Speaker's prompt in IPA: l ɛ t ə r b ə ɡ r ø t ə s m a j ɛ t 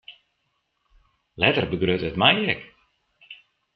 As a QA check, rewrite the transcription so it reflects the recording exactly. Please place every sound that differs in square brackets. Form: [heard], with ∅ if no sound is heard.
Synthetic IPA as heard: l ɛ t ə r b ə ɡ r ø t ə [t] m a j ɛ [k]